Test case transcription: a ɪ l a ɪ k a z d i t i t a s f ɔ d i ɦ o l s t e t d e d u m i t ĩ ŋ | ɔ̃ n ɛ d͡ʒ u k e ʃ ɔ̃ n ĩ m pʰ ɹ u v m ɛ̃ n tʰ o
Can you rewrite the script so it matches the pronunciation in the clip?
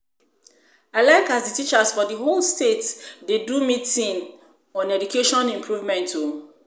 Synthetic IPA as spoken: a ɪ l a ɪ k a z d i t i t͡ʃ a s f ɔ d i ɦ o l s t e t d e d u m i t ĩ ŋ | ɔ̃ n ɛ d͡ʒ u k e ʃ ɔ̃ n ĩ m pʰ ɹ u v m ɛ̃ n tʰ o